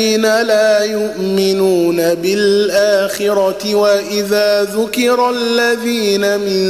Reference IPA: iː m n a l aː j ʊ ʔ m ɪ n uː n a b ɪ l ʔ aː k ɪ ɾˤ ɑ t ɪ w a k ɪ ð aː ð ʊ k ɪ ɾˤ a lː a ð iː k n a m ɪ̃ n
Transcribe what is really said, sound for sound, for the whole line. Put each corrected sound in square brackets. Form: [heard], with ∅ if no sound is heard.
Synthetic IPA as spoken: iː [∅] n a l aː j ʊ ʔ m ɪ n uː n a b ɪ l ʔ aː [x] ɪ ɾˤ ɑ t ɪ w a [ʔ] ɪ ð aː ð ʊ k ɪ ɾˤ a lː a ð iː [∅] n a m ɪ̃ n